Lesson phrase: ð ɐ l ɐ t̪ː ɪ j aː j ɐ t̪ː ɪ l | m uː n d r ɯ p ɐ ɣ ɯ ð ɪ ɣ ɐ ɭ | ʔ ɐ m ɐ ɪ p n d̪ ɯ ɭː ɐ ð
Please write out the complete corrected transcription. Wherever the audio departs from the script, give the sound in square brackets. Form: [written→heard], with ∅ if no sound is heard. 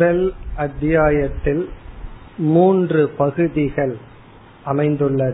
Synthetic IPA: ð ɐ l ɐ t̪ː ɪ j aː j ɐ t̪ː ɪ l | m uː n d r ɯ p ɐ ɣ ɯ ð ɪ ɣ ɐ ɭ | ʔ ɐ m ɐ ɪ [p→∅] n d̪ ɯ ɭː ɐ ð